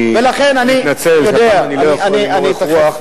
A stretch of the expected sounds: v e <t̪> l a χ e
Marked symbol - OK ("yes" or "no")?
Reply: no